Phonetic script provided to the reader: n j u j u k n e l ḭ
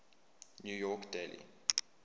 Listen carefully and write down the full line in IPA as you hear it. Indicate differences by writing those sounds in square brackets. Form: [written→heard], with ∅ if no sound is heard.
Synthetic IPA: n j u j [u→ɔ] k [n→d] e l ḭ